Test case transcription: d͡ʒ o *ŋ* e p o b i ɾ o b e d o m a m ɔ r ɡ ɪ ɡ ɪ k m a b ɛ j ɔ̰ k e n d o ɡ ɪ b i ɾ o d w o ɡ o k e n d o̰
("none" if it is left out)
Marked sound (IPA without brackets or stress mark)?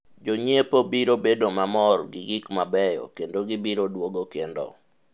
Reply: ɲ